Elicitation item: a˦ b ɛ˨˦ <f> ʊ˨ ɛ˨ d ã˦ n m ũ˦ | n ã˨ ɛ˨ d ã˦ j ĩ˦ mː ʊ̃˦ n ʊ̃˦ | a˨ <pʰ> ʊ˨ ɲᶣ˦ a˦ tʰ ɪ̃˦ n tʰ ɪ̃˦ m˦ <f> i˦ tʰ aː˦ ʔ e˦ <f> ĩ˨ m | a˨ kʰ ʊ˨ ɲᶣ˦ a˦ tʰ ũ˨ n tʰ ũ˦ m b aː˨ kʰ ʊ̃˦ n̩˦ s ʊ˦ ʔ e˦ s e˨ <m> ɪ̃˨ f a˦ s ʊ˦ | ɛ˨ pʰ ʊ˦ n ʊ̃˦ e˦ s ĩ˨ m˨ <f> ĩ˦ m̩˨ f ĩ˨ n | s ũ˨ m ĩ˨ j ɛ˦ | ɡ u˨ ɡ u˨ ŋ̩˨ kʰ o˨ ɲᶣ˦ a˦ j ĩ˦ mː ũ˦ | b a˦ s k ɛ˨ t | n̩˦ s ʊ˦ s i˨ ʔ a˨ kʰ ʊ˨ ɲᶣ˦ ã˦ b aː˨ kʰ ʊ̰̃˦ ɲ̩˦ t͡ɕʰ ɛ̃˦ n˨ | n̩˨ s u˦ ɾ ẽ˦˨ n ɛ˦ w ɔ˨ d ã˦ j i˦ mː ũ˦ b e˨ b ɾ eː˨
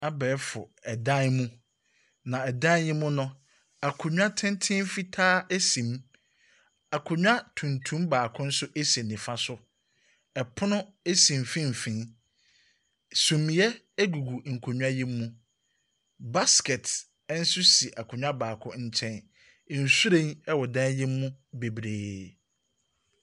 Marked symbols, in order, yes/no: yes, no, yes, no, no, yes

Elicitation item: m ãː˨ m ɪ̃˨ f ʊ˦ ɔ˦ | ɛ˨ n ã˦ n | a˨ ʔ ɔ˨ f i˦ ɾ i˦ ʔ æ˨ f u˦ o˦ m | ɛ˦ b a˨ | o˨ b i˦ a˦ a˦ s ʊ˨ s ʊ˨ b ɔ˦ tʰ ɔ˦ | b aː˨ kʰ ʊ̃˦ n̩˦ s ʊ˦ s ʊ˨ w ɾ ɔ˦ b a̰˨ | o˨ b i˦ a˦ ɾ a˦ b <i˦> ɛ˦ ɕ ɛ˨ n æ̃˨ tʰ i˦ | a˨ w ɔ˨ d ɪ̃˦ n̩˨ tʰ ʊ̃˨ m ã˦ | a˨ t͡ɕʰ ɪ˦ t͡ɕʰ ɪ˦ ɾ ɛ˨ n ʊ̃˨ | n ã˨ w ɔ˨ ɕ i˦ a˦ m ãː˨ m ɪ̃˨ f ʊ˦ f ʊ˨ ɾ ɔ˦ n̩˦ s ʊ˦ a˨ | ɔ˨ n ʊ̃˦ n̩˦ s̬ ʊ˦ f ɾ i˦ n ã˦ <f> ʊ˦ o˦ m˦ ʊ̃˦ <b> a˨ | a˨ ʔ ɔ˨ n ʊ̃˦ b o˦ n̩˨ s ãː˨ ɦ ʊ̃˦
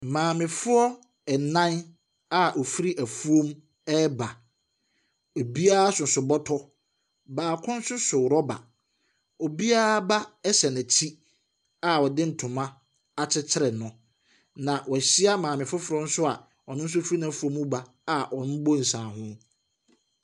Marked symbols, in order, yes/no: no, yes, yes

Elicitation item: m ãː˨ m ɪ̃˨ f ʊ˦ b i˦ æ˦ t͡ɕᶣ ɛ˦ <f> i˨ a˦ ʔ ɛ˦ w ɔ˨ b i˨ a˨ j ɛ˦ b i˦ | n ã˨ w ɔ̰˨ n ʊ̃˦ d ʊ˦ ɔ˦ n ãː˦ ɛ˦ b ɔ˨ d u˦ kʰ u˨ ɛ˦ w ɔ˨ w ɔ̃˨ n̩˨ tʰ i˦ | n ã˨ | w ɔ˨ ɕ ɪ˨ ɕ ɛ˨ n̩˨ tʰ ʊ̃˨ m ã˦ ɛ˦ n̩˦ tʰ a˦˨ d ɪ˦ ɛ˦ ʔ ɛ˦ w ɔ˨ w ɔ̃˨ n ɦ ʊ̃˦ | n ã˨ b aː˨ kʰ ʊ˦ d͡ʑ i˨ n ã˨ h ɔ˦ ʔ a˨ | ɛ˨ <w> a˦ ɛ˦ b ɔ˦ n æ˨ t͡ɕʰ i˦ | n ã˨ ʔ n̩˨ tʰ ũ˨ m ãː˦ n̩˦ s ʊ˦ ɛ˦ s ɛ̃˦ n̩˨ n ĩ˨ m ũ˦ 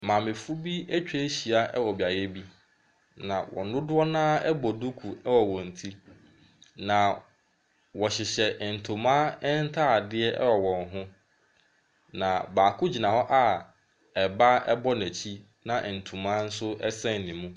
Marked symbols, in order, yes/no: no, no

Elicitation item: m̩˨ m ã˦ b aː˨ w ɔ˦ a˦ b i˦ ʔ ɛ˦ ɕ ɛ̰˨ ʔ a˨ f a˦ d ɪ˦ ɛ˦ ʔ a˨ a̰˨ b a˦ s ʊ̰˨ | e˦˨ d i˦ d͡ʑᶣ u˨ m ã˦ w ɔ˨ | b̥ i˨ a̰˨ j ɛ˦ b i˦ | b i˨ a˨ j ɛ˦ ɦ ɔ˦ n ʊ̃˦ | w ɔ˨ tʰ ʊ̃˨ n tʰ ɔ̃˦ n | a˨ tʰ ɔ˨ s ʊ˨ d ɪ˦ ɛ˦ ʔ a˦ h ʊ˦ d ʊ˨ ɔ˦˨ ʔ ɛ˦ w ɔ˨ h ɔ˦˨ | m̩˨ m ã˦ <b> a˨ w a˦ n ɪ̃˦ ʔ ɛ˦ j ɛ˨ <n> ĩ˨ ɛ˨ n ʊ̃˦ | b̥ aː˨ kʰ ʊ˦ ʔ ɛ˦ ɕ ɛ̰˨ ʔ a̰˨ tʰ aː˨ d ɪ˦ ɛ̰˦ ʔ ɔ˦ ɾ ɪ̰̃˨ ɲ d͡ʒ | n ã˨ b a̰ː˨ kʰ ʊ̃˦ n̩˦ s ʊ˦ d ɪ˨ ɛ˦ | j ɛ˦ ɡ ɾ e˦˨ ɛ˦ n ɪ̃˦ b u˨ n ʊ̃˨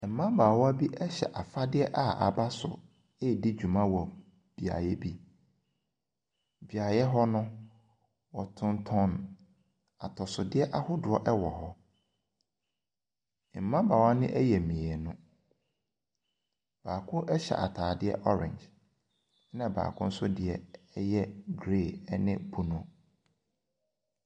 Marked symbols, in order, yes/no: yes, no

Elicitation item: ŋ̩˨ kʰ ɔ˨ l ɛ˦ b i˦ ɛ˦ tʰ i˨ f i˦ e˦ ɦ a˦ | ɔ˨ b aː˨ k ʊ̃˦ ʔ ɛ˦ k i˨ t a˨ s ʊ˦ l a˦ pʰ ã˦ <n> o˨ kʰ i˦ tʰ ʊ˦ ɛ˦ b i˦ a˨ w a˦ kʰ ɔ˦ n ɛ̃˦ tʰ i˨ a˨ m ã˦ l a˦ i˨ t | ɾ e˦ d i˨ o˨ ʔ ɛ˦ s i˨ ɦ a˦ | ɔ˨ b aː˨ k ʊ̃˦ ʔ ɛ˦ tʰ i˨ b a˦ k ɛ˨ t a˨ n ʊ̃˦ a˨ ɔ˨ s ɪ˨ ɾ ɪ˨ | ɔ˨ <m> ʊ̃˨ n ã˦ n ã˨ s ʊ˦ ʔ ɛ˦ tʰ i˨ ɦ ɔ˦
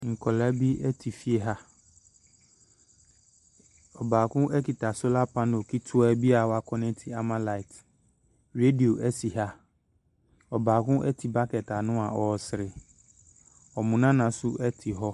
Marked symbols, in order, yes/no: yes, yes

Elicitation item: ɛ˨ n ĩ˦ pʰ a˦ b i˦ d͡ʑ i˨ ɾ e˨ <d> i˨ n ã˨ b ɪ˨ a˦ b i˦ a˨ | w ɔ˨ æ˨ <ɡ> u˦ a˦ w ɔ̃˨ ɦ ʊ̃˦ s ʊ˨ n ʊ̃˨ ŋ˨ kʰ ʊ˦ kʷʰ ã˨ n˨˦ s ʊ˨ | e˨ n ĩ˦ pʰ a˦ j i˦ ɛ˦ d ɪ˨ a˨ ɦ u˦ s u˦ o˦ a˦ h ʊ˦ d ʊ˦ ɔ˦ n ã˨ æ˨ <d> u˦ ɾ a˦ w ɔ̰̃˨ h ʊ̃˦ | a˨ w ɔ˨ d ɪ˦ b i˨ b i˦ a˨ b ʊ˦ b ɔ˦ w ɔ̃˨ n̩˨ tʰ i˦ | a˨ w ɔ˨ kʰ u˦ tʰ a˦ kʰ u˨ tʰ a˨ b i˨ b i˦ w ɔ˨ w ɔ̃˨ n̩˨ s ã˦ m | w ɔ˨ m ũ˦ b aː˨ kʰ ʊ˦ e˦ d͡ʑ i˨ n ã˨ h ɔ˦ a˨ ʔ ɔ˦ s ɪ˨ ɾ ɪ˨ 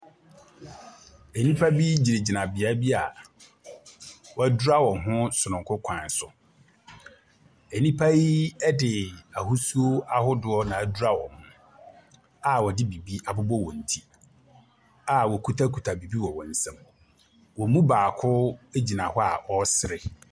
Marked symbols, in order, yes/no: no, no, yes

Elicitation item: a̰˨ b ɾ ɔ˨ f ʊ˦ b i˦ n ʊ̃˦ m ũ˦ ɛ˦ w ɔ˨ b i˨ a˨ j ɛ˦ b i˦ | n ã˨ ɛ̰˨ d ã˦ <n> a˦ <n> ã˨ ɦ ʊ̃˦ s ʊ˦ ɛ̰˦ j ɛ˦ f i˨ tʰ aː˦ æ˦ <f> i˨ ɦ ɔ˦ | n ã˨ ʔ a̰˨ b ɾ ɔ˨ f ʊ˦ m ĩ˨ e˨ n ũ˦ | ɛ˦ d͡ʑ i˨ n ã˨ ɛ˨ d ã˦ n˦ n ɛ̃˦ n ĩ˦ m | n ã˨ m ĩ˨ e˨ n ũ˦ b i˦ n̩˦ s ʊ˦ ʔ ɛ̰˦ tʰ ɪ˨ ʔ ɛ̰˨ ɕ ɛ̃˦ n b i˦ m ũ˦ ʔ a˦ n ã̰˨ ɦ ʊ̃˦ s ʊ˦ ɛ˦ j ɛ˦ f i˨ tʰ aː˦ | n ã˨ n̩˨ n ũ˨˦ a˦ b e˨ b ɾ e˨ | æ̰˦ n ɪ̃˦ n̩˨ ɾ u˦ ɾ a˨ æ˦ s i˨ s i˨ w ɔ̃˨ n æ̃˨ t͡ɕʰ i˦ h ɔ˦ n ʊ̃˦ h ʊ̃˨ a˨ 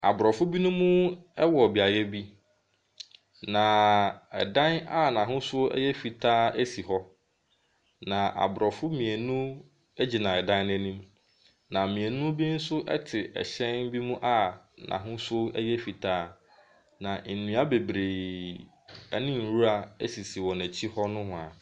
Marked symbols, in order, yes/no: yes, yes, no

